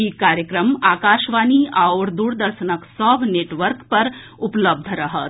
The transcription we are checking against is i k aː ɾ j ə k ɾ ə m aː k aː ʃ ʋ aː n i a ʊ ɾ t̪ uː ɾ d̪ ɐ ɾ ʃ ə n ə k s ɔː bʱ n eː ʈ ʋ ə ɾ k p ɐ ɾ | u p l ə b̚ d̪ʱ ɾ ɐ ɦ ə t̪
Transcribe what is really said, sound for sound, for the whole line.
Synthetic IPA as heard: i k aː ɾ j ə k ɾ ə m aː k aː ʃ ʋ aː n i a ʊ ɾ d̪ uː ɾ d̪ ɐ ɾ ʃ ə n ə k s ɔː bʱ n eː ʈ ʋ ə ɾ k p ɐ ɾ | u p l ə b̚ d̪ʱ ɾ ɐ ɦ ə t̪